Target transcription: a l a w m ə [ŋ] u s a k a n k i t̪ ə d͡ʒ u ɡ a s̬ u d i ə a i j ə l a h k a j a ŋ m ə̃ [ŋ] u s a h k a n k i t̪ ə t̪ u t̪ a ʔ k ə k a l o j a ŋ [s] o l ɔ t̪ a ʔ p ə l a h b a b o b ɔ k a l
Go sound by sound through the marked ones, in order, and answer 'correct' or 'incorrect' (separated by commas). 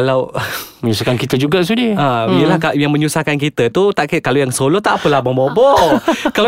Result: incorrect, incorrect, correct